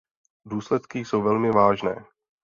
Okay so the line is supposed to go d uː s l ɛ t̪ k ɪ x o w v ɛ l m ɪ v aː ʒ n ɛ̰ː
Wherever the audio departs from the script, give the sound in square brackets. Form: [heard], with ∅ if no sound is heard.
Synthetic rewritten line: d uː s l ɛ t̪ k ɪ [s] o w v ɛ l m ɪ v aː ʒ n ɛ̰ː